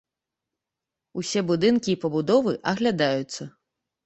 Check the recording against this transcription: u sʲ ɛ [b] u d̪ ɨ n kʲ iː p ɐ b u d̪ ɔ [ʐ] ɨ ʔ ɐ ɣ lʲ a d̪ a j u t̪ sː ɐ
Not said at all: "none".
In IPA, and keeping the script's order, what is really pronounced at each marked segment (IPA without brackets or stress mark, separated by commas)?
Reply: b, v